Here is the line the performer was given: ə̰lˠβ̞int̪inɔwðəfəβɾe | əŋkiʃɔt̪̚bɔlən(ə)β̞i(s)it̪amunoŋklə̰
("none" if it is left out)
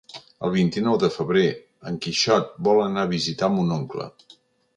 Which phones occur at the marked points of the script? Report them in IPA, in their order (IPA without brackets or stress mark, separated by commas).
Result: a, z